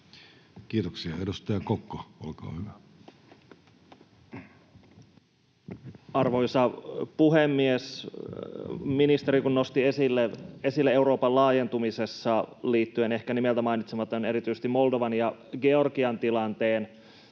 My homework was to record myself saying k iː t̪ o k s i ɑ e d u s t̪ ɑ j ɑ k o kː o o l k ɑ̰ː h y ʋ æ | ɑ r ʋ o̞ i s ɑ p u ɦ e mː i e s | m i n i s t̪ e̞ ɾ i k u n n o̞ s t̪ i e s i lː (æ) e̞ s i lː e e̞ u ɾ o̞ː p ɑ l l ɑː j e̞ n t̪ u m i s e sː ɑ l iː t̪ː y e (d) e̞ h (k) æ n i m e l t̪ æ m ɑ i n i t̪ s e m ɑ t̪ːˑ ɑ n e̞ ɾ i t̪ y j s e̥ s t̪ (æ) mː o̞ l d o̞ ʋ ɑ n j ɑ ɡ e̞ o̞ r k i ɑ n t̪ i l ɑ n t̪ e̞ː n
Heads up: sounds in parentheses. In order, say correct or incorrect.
incorrect, incorrect, correct, incorrect

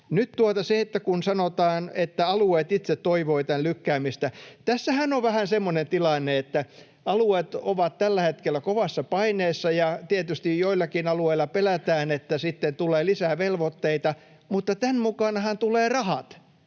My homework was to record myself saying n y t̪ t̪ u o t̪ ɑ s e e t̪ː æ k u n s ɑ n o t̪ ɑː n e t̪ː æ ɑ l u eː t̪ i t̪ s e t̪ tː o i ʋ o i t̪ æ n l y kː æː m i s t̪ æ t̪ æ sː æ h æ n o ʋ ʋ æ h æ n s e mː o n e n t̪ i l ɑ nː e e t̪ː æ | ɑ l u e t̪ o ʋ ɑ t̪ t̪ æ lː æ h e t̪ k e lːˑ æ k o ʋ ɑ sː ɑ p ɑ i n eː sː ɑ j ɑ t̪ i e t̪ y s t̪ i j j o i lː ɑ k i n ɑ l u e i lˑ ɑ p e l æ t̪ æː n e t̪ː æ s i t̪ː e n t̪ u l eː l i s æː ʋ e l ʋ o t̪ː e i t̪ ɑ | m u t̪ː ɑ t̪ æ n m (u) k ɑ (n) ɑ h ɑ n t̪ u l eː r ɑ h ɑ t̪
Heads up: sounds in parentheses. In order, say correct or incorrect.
correct, correct

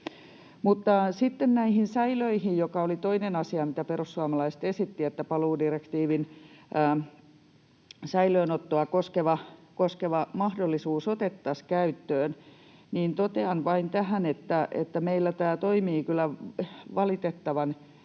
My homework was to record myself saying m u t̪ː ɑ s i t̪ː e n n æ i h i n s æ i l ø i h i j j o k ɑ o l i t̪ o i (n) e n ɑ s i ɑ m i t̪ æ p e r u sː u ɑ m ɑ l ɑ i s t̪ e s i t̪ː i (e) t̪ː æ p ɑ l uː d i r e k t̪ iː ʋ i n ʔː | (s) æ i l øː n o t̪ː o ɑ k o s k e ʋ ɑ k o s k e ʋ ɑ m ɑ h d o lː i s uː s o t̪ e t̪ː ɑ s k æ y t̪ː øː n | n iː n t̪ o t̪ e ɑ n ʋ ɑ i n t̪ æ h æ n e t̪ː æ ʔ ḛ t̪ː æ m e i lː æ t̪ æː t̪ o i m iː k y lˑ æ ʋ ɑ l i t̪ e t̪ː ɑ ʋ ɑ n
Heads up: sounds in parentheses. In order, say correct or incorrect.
correct, correct, correct

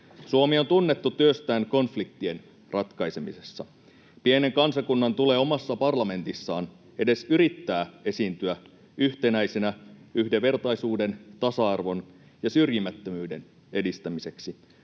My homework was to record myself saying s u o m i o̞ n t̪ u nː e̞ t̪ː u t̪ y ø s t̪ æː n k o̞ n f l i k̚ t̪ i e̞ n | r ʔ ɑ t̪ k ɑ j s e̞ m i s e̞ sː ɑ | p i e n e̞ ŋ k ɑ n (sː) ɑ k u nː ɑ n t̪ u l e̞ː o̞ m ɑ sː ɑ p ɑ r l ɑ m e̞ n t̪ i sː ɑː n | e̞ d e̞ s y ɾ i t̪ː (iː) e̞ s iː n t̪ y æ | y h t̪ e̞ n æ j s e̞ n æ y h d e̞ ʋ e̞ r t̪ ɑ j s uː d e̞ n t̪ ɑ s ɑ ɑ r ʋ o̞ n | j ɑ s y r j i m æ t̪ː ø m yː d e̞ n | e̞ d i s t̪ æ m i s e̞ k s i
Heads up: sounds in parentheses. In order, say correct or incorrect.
incorrect, incorrect

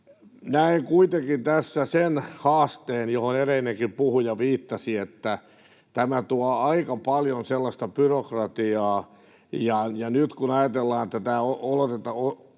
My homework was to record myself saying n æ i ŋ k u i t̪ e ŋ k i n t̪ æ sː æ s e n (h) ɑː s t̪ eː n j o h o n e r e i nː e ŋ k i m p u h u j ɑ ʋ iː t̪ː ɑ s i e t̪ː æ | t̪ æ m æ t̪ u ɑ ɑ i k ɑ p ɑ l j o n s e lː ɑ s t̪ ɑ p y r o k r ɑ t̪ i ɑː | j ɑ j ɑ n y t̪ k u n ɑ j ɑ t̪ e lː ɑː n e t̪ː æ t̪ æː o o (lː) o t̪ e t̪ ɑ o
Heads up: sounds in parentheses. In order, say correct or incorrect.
correct, incorrect

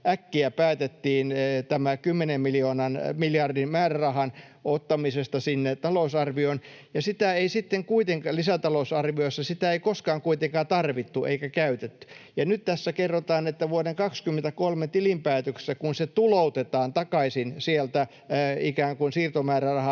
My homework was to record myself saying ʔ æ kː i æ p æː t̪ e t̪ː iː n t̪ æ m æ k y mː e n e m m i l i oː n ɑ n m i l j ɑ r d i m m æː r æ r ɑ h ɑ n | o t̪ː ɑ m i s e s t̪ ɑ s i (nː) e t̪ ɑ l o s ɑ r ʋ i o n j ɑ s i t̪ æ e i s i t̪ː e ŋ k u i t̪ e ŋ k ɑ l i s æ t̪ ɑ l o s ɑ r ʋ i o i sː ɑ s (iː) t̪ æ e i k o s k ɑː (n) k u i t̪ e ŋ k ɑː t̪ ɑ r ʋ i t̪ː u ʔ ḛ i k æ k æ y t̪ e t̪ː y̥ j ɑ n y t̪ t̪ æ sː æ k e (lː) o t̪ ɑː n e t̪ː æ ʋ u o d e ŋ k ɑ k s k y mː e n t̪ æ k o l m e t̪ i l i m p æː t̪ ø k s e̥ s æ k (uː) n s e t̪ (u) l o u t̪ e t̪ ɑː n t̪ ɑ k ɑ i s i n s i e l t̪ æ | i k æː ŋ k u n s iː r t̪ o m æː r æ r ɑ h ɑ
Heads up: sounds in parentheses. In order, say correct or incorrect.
correct, incorrect, incorrect, incorrect, incorrect, correct

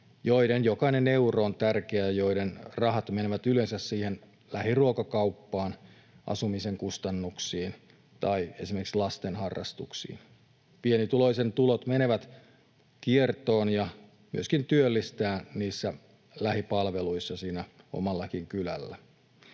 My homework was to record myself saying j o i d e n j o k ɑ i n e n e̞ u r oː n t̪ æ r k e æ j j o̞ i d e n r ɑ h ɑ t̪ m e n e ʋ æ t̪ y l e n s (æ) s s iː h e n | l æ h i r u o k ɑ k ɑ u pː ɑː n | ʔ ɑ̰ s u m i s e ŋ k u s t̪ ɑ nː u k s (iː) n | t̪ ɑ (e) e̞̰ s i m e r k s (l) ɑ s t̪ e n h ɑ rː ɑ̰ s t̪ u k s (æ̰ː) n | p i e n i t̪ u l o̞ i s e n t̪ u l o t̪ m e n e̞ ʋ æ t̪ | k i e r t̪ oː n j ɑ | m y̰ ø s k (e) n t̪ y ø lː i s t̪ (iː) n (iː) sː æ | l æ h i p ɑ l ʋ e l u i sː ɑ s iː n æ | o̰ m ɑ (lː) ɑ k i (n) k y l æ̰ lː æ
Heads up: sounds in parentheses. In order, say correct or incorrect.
correct, correct, incorrect, correct, incorrect, incorrect, incorrect, correct, correct, incorrect

